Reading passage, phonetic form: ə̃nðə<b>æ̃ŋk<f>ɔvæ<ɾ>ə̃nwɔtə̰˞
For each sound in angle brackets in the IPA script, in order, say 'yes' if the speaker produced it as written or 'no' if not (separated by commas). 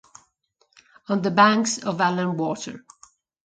yes, no, no